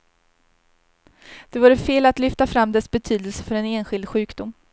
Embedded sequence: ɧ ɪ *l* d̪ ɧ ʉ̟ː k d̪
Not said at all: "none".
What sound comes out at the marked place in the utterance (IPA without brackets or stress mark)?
l